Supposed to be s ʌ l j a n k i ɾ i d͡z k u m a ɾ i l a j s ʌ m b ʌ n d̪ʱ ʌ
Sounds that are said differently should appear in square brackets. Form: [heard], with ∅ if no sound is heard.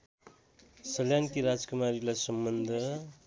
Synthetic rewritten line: s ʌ l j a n k i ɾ [a] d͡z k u m a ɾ i l a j s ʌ m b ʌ n d̪ʱ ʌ